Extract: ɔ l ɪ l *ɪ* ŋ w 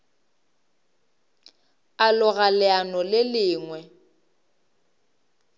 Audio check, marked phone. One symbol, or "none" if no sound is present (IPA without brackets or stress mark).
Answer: ɪː